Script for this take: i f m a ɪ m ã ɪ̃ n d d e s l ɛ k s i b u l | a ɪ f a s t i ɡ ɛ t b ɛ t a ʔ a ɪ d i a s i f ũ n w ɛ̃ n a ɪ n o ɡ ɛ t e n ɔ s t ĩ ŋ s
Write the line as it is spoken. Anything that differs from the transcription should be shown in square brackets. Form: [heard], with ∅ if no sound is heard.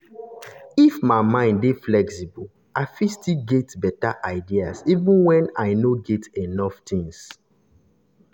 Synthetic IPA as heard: i f m a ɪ m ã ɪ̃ n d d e [f] l ɛ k s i b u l | a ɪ f [i] s t i ɡ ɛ t b ɛ t a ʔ a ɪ d i a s i [v] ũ n w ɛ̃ n a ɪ n o ɡ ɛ t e n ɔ [f] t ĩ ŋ s